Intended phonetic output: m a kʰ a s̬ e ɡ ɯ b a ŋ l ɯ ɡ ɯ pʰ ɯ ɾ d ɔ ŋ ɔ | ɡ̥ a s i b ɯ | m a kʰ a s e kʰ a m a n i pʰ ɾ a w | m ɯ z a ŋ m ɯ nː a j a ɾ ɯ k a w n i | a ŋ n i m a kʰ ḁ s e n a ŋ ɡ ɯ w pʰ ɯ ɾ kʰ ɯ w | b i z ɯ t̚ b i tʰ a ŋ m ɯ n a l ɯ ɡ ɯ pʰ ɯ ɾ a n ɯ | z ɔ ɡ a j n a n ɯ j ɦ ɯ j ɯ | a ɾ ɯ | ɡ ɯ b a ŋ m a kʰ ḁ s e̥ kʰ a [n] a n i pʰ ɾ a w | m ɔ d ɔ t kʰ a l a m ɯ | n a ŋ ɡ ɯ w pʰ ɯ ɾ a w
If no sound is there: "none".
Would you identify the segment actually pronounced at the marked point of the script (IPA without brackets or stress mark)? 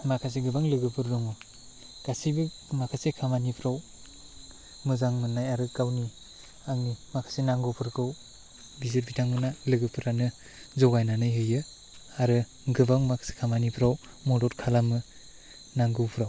m